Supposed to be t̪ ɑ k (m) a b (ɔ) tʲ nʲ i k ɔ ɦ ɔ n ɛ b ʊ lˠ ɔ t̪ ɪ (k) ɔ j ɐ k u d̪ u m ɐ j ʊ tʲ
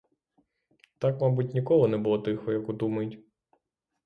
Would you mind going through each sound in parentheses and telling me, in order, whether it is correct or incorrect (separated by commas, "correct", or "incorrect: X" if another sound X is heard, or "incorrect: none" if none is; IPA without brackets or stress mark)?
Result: correct, incorrect: u, incorrect: x